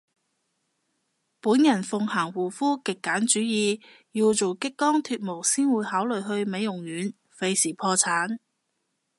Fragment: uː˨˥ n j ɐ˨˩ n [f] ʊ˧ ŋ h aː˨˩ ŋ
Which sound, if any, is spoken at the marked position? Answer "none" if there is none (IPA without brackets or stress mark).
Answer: f